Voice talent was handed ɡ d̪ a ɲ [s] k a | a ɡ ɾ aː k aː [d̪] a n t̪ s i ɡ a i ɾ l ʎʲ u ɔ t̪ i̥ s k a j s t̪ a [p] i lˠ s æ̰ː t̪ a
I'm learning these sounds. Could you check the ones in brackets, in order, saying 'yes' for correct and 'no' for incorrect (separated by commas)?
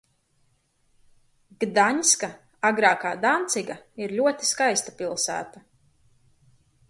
yes, yes, yes